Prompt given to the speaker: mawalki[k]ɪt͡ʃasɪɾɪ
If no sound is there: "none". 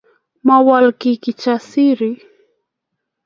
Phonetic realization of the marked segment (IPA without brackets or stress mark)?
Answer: k